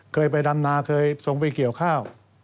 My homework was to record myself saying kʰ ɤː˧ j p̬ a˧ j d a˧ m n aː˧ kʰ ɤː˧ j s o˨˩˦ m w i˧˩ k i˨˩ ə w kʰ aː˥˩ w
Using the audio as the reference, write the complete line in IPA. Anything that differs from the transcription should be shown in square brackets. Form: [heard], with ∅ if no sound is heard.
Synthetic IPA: kʰ ɤː˧ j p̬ a˧ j d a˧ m n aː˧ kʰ ɤː˧ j s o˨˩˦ [ŋ] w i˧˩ k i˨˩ ə w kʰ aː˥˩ w